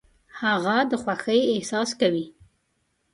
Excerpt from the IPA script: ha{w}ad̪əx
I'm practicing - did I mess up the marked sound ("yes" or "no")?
yes